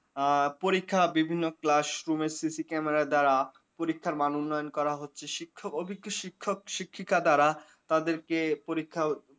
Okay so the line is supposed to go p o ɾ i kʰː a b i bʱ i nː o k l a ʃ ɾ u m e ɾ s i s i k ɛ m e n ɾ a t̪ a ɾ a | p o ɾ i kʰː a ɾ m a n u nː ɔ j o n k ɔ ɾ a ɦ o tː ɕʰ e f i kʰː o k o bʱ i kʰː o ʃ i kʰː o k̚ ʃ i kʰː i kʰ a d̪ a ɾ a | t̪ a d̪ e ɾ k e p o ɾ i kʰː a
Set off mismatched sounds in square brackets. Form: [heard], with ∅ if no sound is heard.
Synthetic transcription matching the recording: p o ɾ i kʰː a b i bʱ i nː o k l a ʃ ɾ u m e ɾ s i s i k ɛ m e [∅] ɾ a [d̪] a ɾ a | p o ɾ i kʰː a ɾ m a n u nː ɔ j o n k ɔ ɾ a ɦ o tː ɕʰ e [ʃ] i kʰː o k o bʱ i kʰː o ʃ i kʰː o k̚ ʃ i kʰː i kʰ a d̪ a ɾ a | t̪ a d̪ e ɾ k e p o ɾ i kʰː a

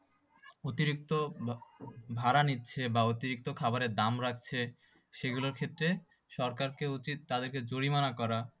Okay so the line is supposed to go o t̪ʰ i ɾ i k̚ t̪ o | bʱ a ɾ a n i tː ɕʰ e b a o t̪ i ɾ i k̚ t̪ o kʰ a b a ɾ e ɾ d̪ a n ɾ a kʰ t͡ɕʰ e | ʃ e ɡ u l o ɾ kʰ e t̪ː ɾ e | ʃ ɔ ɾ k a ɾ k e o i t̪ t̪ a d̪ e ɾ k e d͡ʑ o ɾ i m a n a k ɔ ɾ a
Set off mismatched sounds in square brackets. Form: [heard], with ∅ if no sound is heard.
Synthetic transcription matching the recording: o [t̪] i ɾ i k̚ t̪ o | bʱ a ɾ a n i tː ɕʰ e b a o t̪ i ɾ i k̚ t̪ o kʰ a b a ɾ e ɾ d̪ a [m] ɾ a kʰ t͡ɕʰ e | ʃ e ɡ u l o ɾ kʰ e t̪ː ɾ e | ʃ ɔ ɾ k a ɾ k e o i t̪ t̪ a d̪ e ɾ k e d͡ʑ o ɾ i m a n a k ɔ ɾ a

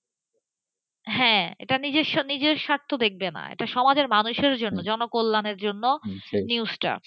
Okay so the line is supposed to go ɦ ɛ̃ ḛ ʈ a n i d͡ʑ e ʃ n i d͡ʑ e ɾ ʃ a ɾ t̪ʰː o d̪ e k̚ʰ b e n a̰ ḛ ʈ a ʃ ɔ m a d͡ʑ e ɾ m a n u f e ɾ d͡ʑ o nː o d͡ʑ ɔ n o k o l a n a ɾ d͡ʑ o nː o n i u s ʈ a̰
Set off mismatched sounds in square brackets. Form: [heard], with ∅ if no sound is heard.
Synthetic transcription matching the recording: ɦ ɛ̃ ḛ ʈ a n i d͡ʑ e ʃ n i d͡ʑ e ɾ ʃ a ɾ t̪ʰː o d̪ e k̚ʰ b e n a̰ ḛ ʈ a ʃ ɔ m a d͡ʑ e ɾ m a n u [ʃ] e ɾ d͡ʑ o nː o d͡ʑ ɔ n o k o [lː] a n [e] ɾ d͡ʑ o nː o n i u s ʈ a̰

